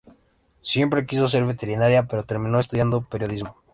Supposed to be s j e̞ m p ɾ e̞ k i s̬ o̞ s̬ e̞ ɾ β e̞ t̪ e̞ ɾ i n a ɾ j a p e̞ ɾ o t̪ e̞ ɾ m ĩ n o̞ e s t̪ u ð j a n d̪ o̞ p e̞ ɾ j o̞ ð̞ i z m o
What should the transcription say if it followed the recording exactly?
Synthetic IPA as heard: s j e̞ m p ɾ e̞ k i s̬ o̞ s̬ e̞ ɾ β e̞ t̪ e̞ ɾ i n a ɾ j a p e̞ ɾ o t̪ e̞ ɾ m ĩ n o̞ e s t̪ u ð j a n d̪ o̞ p e̞ ɾ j o̞ ð̞ i z m o